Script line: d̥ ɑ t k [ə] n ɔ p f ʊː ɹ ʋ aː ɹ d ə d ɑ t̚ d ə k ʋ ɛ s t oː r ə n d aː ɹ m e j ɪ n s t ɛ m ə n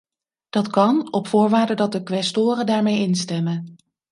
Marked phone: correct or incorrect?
incorrect